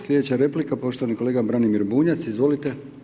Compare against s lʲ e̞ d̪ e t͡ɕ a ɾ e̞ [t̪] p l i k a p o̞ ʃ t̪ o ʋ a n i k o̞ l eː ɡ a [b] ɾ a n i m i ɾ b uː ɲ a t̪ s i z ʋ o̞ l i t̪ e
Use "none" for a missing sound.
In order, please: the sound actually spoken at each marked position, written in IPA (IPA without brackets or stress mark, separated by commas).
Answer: none, b